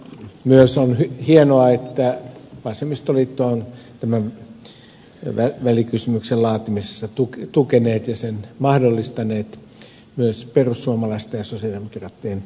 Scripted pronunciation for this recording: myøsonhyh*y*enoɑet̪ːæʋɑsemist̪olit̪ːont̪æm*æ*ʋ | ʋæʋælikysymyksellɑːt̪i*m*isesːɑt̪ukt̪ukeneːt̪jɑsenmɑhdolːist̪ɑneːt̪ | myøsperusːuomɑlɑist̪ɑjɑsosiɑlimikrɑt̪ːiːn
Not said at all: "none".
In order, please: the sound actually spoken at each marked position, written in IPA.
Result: i, æ, m

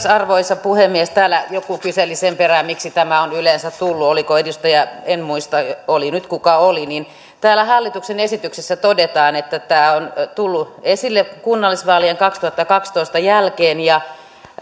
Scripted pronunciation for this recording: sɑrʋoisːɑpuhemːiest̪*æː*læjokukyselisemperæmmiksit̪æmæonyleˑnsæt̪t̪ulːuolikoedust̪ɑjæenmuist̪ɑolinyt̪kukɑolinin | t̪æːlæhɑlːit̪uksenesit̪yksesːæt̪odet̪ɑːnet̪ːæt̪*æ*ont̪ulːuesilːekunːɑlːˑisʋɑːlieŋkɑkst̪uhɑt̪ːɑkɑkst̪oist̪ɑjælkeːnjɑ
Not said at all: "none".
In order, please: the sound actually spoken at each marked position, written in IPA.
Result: æː, æː

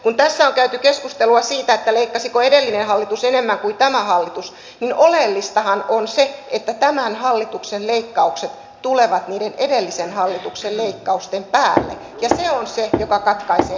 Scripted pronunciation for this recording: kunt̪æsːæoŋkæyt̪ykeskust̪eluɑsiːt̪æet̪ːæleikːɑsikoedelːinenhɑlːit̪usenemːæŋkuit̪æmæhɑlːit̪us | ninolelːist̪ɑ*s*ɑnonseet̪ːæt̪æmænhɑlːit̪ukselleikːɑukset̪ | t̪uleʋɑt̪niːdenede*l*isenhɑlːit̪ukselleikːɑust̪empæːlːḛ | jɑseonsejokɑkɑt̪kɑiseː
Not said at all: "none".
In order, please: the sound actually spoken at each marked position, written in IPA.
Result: h, lː

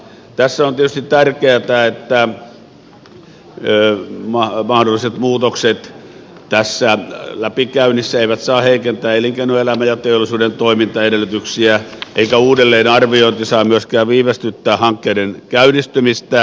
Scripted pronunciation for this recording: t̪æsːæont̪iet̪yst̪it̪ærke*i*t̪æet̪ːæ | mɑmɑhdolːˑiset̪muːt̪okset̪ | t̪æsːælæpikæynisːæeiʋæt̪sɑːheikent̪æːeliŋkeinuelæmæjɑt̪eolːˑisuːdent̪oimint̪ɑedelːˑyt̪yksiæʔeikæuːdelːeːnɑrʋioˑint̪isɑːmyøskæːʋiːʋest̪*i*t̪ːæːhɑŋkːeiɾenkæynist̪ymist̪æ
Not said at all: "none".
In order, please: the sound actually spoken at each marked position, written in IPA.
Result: æ, y

